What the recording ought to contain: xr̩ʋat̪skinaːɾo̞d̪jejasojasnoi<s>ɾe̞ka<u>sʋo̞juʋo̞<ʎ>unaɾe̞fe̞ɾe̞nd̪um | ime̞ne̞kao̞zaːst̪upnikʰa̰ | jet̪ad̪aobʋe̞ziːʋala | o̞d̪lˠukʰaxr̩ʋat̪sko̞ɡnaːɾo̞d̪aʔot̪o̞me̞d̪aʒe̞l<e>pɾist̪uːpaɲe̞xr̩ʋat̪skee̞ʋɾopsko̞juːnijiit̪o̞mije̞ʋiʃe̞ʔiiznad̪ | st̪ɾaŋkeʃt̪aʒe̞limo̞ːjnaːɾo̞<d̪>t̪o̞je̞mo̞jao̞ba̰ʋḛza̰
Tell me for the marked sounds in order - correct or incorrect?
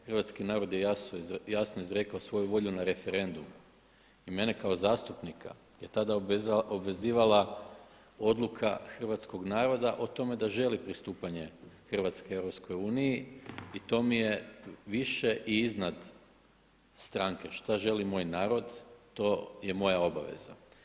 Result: incorrect: z, incorrect: o, correct, incorrect: i, correct

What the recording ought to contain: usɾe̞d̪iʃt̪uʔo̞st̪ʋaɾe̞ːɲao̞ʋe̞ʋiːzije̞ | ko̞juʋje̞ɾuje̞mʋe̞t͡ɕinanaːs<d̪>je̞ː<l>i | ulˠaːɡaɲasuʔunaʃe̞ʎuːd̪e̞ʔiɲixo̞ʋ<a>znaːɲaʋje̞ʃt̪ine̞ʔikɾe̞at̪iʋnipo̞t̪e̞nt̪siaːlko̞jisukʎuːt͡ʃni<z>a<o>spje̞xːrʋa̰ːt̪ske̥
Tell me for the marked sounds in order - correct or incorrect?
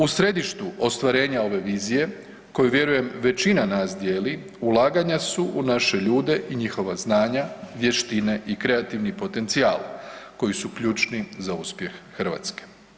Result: correct, correct, correct, correct, incorrect: u

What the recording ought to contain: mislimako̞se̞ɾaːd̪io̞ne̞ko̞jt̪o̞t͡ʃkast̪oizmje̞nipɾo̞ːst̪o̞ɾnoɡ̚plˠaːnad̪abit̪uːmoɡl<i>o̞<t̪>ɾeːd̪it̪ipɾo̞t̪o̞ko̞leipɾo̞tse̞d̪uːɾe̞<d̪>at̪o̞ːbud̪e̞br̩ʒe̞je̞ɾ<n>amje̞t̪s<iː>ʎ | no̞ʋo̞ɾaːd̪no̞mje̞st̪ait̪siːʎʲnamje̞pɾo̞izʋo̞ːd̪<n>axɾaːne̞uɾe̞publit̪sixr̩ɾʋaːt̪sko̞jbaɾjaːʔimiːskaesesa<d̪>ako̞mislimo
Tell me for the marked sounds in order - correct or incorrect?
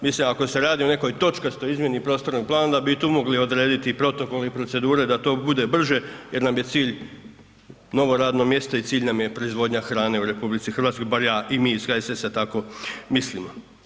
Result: correct, incorrect: d̪, correct, correct, correct, incorrect: ɲ, incorrect: t̪

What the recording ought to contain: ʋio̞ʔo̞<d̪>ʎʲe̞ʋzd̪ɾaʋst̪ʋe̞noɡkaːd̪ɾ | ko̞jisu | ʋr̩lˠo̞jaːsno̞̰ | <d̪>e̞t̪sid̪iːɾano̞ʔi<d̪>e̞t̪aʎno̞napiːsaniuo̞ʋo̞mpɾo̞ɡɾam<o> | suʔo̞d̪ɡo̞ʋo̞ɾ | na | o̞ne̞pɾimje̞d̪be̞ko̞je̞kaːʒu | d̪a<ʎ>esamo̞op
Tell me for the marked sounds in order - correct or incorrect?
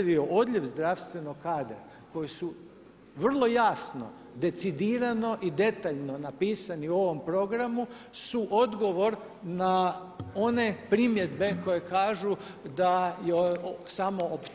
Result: correct, correct, correct, incorrect: u, incorrect: j

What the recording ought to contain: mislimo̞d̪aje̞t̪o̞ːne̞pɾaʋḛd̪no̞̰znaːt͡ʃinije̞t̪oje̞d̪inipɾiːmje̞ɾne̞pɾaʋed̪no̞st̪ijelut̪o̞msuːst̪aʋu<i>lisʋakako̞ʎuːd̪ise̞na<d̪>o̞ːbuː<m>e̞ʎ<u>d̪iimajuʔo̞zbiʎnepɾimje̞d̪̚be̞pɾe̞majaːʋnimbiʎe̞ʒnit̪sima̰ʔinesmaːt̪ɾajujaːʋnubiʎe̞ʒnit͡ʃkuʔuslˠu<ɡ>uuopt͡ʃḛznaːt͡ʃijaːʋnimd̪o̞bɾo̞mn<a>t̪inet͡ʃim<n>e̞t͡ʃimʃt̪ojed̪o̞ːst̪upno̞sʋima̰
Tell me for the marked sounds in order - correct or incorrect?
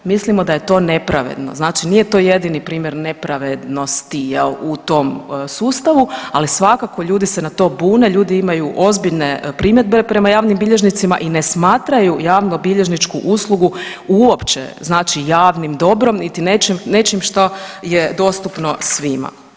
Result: incorrect: a, incorrect: t̪, incorrect: n, incorrect: uː, correct, incorrect: i, correct

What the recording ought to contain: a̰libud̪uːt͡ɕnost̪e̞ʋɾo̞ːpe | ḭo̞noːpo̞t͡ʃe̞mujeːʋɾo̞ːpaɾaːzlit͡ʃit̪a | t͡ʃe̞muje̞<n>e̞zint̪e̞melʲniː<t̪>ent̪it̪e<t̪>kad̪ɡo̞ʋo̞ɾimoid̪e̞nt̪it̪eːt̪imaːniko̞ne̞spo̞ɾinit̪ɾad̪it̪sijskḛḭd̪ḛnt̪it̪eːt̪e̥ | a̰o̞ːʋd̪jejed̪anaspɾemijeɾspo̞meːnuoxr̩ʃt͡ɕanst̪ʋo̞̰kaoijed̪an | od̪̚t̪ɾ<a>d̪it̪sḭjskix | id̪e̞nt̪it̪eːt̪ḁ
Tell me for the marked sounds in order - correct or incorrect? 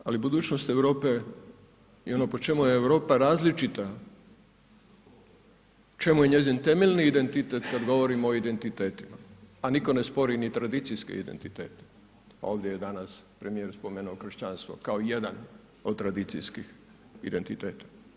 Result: incorrect: ɲ, incorrect: d̪, correct, correct

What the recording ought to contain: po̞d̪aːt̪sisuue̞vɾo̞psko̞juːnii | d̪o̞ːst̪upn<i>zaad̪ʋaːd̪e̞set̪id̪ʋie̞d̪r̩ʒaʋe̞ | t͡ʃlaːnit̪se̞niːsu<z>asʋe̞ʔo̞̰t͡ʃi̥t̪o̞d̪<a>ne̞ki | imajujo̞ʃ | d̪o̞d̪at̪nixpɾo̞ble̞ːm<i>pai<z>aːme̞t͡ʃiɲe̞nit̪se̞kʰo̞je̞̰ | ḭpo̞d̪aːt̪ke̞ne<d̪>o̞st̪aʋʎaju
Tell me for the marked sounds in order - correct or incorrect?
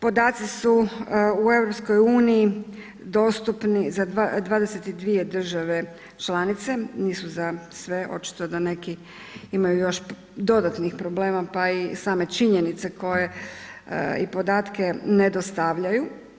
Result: correct, correct, correct, incorrect: a, incorrect: s, correct

